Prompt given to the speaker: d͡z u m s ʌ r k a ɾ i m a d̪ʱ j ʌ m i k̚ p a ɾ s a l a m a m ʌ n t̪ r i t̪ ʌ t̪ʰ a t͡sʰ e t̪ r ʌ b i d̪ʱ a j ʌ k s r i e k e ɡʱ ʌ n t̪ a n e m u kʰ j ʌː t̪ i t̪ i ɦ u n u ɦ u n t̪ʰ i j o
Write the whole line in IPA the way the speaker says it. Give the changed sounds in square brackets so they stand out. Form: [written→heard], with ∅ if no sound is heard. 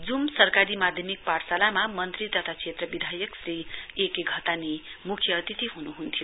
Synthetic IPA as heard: d͡z u m s ʌ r k a ɾ i m a d̪ʱ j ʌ m i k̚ p a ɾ s a l a m a m ʌ n t̪ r i t̪ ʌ t̪ʰ a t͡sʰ e t̪ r ʌ b i d̪ʱ a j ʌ k s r i e k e ɡʱ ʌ [n→∅] t̪ a n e m u kʰ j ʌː t̪ i t̪ i ɦ u n u ɦ u n t̪ʰ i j o